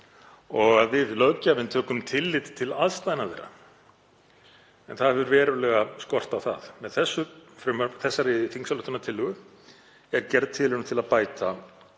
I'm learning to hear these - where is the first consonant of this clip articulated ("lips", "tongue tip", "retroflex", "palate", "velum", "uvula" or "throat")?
velum